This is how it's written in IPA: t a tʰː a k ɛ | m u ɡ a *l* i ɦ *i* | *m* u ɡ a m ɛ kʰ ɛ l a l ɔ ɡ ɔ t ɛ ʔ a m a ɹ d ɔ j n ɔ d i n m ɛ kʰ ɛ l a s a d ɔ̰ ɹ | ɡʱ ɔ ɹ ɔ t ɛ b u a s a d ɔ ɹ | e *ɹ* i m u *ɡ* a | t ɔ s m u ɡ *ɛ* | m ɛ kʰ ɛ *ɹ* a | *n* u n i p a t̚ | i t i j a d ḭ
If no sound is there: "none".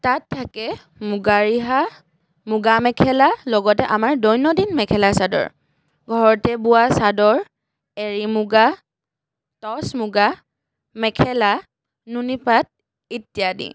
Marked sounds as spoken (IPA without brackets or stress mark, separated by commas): ɹ, a, m, ɹ, ɡ, a, l, n